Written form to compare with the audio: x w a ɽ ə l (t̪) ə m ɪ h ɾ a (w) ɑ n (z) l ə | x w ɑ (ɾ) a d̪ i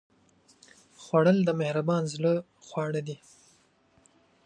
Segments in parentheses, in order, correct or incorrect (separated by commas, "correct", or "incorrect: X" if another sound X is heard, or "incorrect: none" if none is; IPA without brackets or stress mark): incorrect: d̪, incorrect: b, correct, incorrect: ɽ